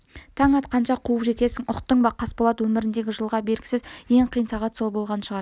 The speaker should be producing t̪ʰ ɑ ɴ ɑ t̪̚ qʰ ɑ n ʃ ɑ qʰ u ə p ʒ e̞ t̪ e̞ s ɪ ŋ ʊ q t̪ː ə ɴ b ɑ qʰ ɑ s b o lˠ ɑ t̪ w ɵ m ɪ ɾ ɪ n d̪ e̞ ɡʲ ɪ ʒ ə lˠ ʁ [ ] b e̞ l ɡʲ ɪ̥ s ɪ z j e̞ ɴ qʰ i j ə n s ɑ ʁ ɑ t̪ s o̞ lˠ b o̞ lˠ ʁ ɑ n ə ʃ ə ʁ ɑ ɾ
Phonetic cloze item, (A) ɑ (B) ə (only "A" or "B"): A